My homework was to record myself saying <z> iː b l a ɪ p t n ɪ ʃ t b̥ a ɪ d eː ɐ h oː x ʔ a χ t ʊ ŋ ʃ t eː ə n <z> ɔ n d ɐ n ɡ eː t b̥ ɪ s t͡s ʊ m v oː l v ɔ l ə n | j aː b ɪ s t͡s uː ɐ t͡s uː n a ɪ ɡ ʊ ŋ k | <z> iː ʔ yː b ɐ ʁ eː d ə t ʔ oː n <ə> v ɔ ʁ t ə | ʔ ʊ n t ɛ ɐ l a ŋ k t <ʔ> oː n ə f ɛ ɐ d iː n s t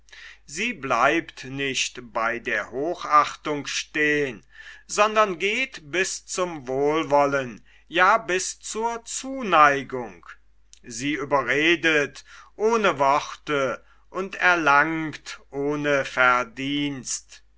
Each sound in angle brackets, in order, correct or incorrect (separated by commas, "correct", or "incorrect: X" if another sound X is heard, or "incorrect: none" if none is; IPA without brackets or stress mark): correct, correct, correct, correct, correct